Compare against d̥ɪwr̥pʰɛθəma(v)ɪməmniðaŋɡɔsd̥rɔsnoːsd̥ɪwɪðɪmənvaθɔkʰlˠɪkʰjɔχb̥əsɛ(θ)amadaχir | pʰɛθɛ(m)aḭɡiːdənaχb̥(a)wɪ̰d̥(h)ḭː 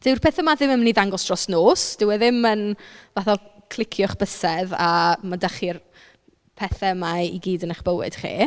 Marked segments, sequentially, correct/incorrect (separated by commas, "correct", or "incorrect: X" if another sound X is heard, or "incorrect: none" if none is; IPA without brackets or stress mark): incorrect: ð, incorrect: ð, correct, incorrect: ə, incorrect: χ